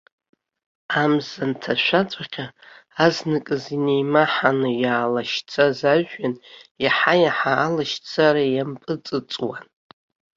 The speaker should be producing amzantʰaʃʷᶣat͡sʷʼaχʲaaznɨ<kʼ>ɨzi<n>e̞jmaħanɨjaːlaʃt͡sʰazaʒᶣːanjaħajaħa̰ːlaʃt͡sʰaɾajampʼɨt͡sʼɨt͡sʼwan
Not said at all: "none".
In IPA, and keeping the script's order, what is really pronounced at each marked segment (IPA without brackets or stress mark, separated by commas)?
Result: kʼ, n